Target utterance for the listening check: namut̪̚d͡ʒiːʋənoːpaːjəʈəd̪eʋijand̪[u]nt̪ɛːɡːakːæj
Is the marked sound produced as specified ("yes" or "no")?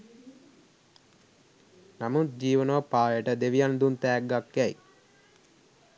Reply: yes